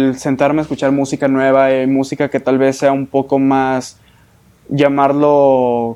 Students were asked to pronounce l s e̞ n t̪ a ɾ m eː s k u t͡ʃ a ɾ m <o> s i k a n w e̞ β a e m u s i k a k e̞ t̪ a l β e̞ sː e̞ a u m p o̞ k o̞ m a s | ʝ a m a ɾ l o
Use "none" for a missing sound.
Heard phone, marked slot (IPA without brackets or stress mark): u